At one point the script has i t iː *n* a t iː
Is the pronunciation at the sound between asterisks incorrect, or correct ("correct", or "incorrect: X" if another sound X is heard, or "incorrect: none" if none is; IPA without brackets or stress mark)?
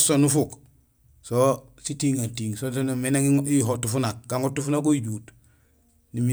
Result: incorrect: ŋ